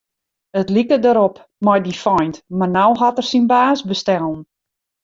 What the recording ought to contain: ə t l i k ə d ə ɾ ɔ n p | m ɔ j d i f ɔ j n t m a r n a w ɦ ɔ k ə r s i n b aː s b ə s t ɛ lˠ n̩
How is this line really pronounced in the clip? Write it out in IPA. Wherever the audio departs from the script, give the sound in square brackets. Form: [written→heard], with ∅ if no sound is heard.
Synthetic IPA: ə t l i k ə d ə ɾ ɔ [n→∅] p | m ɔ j d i f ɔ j n t m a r n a w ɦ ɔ [k→t] ə r s i n b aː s b ə s t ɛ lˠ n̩